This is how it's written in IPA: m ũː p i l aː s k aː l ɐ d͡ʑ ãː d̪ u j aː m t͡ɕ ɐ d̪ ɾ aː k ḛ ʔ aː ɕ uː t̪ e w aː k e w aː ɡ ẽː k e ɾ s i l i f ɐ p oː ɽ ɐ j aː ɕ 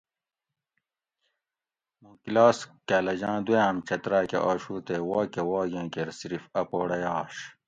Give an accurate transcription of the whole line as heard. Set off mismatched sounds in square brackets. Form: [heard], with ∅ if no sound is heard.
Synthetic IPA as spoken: m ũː [k] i l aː s k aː l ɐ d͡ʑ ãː d̪ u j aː m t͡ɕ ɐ [t̪] ɾ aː k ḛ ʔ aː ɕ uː t̪ e w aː k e w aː ɡ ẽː k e ɾ s i [ɾ] i f ɐ p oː ɽ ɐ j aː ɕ

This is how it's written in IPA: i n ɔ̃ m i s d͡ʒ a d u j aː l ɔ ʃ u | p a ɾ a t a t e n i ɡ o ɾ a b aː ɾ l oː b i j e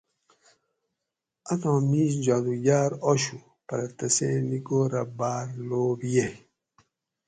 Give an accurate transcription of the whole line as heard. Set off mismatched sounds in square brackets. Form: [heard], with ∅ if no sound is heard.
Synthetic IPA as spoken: [a] n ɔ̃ m i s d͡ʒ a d u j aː [ɾ] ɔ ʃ u | p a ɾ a t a [s] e n i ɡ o ɾ a b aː ɾ l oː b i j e

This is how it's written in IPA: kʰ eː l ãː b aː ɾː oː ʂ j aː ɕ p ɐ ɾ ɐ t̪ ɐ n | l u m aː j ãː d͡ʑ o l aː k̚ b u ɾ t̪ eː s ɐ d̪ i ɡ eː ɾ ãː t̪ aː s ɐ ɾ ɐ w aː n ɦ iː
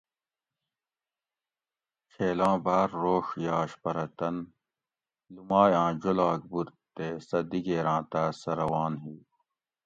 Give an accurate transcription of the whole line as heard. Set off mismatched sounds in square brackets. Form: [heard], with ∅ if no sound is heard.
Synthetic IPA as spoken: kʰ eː l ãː b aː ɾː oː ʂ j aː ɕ p ɐ ɾ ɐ t̪ ɐ n | l u m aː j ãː d͡ʑ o l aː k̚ b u ɾ t̪ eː s ɐ d̪ i ɡ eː ɾ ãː t̪ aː s ɐ ɾ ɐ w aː n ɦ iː

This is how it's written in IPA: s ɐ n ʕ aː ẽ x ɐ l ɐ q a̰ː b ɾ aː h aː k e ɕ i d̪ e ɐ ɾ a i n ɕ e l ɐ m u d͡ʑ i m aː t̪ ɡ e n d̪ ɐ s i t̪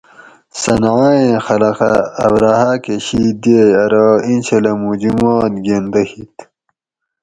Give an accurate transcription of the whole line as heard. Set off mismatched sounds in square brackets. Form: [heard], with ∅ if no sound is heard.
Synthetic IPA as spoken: s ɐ n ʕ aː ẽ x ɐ l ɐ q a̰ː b ɾ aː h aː k e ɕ i d̪ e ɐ ɾ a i n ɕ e l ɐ m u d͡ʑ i m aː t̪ ɡ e n d̪ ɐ [h] i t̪

